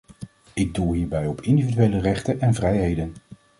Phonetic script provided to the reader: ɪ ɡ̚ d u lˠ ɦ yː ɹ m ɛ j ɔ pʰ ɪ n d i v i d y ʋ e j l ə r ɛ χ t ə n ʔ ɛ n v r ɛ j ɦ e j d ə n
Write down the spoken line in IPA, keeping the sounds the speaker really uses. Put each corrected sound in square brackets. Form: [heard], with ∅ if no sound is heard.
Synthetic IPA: ɪ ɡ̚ d u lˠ ɦ [iː] ɹ [b] ɛ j ɔ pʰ ɪ n d i v i d y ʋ e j l ə r ɛ χ t ə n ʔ ɛ n v r ɛ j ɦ e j d ə n